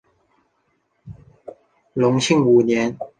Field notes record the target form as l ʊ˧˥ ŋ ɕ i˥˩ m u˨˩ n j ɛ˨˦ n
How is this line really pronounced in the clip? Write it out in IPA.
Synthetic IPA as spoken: l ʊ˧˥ ŋ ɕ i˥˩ ŋ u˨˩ n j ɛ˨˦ n

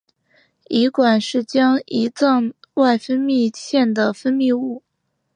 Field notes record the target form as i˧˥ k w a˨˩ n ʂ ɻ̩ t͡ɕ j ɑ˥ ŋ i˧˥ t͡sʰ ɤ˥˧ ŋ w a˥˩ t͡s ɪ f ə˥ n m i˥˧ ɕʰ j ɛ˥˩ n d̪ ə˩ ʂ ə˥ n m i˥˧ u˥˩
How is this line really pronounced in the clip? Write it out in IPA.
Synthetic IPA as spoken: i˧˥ k w a˨˩ n ʂ ɻ̩ t͡ɕ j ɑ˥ ŋ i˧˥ t͡s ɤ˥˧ ŋ w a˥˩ ɪ f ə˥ n m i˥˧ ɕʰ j ɛ˥˩ n d̪ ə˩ f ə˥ n m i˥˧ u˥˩

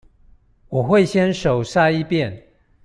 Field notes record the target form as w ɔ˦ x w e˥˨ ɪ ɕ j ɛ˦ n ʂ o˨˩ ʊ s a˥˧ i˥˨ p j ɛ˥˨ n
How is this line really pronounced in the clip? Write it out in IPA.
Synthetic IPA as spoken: w ɔ˨˩ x w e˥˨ ɪ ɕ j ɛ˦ n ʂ o˨˩ ʊ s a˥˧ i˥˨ p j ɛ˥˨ n

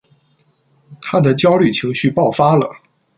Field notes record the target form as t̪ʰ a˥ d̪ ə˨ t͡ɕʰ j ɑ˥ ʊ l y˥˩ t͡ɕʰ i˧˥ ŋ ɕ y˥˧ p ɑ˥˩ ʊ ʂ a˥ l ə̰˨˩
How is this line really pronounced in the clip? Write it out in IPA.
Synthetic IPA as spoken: t̪ʰ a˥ d̪ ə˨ t͡ɕ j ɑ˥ ʊ l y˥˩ t͡ɕʰ i˧˥ ŋ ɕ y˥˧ p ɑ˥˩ ʊ f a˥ l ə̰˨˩

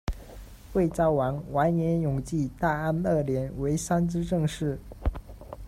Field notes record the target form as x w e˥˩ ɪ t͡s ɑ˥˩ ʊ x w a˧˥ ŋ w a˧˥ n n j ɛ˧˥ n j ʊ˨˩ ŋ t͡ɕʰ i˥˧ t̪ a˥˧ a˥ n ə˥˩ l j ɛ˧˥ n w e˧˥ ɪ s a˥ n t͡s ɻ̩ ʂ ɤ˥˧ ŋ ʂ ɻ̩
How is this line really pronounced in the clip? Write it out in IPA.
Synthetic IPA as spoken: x w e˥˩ ɪ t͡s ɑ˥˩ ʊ w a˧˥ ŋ w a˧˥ n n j ɛ˧˥ n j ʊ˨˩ ŋ t͡ɕ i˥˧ t̪ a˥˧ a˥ n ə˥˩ l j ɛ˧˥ n w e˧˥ ɪ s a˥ n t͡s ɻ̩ ʈ͡ʂ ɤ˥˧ ŋ ʂ ɻ̩

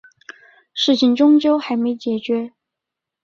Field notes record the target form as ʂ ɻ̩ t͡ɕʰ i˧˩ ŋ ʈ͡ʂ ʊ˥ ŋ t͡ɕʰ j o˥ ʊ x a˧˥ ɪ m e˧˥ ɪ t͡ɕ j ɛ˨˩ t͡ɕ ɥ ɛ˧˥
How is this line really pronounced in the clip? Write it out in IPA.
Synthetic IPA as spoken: ʂ ɻ̩ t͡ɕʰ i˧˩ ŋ ʈ͡ʂ ʊ˥ ŋ t͡ɕ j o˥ ʊ x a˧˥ ɪ m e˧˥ ɪ t͡ɕ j ɛ˨˩ t͡ɕ ɥ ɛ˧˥

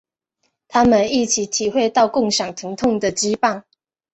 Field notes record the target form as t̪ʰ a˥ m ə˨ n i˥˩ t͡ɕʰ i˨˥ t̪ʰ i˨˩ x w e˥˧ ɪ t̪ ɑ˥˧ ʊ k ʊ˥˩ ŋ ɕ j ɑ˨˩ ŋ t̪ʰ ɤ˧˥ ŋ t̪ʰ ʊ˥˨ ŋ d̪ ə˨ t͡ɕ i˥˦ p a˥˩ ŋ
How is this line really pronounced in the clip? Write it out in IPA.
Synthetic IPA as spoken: t̪ʰ a˥ m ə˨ n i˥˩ t͡ɕʰ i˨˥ t̪ʰ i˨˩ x w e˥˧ ɪ t̪ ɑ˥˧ ʊ k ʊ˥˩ ŋ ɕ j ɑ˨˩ ŋ t̪ʰ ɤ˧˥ ŋ t̪ʰ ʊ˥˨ ŋ d̪ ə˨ t͡ɕ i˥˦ p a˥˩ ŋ

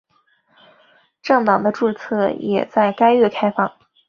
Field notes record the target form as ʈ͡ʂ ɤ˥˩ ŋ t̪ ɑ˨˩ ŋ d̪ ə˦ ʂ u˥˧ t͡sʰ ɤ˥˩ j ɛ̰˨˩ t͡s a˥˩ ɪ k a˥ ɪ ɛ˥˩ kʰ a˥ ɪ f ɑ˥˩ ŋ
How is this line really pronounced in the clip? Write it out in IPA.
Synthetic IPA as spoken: ʈ͡ʂ ɤ˥˩ ŋ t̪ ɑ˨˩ ŋ d̪ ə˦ ʈ͡ʂ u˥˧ t͡sʰ ɤ˥˩ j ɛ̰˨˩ t͡s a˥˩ ɪ k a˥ ɪ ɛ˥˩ kʰ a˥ ɪ f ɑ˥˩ ŋ

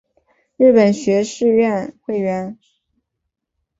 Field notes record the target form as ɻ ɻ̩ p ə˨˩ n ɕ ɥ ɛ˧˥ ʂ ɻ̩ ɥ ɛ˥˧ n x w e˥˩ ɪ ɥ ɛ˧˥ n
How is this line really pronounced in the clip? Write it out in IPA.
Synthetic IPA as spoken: ɻ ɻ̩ p ə˨˩ n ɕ ɥ ɛ˧˥ ʂ ɻ̩ ɥ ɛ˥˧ n x w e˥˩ ɪ ɥ ɛ˧˥ n

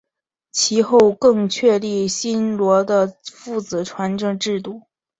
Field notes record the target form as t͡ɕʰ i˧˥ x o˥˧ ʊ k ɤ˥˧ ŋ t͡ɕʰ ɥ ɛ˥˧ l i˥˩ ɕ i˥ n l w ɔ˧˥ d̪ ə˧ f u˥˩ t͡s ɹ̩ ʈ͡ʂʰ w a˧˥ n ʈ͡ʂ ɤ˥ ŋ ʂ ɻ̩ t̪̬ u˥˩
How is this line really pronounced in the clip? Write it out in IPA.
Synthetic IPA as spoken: t͡ɕʰ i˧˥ x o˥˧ ʊ k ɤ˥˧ ŋ t͡ɕʰ ɥ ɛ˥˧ l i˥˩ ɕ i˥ n l w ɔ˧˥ d̪ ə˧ f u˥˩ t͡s ɹ̩ ʈ͡ʂʰ w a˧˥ n ʈ͡ʂ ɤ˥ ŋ ʈ͡ʂ ɻ̩ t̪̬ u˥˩

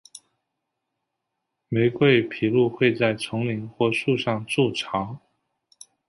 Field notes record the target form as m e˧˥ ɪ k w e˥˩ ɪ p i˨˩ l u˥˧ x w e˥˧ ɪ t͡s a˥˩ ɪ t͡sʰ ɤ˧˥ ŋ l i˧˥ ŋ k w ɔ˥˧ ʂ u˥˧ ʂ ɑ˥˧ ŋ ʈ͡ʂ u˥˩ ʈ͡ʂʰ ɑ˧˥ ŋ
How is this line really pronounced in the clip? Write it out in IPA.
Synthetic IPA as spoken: m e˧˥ ɪ k w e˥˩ ɪ pʰ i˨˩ l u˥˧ x w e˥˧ ɪ t͡s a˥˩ ɪ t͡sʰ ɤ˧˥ ŋ l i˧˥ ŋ x w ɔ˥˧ ʂ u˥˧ ʂ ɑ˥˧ ŋ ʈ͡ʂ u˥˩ ʈ͡ʂʰ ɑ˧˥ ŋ

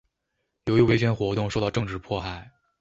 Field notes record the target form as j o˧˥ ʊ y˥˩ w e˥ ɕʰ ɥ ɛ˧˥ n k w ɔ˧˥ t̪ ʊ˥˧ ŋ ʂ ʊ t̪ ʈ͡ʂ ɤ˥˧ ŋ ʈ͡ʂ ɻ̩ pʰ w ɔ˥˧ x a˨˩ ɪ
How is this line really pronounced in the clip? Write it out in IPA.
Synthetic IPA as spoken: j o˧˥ ʊ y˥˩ w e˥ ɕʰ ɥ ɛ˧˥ n x w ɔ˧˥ t̪ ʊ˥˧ ŋ ʂ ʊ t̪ ʈ͡ʂ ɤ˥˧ ŋ ʈ͡ʂ ɻ̩ pʰ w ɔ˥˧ x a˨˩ ɪ

